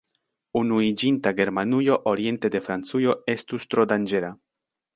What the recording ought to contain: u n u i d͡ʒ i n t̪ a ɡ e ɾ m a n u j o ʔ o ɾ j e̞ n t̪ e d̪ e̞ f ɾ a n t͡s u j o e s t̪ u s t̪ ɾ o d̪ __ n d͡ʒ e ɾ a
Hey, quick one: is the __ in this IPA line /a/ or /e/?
a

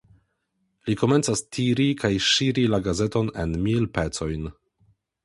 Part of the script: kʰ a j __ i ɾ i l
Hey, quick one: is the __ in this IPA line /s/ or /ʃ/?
ʃ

